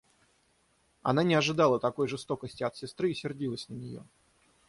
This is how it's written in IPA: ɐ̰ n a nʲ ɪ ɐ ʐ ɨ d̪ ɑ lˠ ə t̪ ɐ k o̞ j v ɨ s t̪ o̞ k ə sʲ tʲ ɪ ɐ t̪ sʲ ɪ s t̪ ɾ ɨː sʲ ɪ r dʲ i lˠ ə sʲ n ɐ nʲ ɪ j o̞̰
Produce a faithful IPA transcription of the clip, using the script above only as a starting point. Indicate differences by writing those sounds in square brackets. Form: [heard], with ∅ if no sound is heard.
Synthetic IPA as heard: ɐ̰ n a nʲ ɪ ɐ ʐ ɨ d̪ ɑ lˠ ə t̪ ɐ k o̞ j [ʐ] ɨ s t̪ o̞ k ə sʲ tʲ ɪ ɐ t̪ sʲ ɪ s t̪ ɾ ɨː sʲ ɪ r dʲ i lˠ ə sʲ n [ə] nʲ ɪ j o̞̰

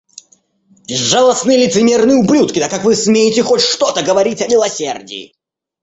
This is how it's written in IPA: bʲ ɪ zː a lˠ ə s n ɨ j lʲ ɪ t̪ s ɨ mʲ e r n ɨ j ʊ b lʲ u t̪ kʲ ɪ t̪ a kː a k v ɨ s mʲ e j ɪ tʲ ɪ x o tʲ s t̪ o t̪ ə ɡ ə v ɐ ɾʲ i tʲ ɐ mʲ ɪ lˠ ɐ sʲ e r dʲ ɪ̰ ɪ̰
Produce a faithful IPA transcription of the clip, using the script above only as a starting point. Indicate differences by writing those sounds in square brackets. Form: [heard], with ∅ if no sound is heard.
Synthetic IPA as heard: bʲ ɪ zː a lˠ ə s n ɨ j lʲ ɪ t̪ s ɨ mʲ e r n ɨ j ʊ b lʲ u t̪ kʲ ɪ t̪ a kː a k v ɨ s mʲ e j ɪ tʲ ɪ x o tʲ [ʂ] t̪ o t̪ ə ɡ ə v ɐ ɾʲ i tʲ ɐ mʲ ɪ lˠ ɐ sʲ e r dʲ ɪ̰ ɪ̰

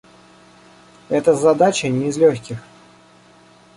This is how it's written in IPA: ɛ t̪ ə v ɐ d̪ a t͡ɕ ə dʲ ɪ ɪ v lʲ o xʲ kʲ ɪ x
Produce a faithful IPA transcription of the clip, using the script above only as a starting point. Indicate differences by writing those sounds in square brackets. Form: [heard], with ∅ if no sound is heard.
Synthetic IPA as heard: ɛ t̪ ə [z] ɐ d̪ a t͡ɕ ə [nʲ] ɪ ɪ [z] lʲ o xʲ kʲ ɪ x

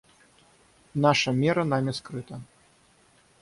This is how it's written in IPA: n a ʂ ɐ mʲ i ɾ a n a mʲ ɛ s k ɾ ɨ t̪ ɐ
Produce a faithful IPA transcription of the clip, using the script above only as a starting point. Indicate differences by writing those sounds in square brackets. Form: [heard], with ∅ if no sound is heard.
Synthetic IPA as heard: n a ʂ ɐ mʲ [ɛ] ɾ [ɐ] n a mʲ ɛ s k ɾ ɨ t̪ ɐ

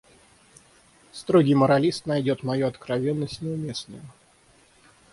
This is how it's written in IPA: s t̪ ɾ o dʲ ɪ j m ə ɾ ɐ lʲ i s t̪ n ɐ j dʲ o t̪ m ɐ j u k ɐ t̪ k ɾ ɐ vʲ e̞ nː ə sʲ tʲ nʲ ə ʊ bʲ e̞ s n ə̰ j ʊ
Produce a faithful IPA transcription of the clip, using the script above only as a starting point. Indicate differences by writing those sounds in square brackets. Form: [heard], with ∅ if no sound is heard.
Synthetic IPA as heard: s t̪ ɾ o [ɡʲ] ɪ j m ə ɾ ɐ lʲ i s t̪ n ɐ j dʲ o t̪ m ɐ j u [∅] ɐ t̪ k ɾ ɐ vʲ e̞ nː ə sʲ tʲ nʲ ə ʊ [mʲ] e̞ s n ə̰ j ʊ

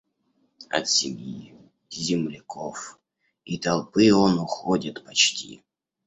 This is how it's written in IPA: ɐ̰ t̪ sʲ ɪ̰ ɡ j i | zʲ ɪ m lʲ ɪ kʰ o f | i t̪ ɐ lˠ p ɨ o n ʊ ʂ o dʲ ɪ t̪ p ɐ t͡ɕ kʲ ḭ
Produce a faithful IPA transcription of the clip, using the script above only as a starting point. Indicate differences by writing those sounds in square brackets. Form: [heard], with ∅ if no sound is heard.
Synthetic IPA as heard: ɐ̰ t̪ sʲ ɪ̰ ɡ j i | zʲ ɪ m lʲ ɪ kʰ o f | i t̪ ɐ lˠ p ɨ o n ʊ [x] o dʲ ɪ t̪ p ɐ t͡ɕ [tʲ] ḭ

